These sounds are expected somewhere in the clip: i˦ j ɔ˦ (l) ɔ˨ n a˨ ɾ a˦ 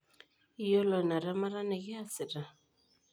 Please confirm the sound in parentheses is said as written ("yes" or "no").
yes